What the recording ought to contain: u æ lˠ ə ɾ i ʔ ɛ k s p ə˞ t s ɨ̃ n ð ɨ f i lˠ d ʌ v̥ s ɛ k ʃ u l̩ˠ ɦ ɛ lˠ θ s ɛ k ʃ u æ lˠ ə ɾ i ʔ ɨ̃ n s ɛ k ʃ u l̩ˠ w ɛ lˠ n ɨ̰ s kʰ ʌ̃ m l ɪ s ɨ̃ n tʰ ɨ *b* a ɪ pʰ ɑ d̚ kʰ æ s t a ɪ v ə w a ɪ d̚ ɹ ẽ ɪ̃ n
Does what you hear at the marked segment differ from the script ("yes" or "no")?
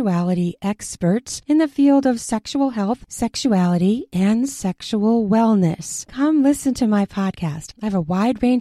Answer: yes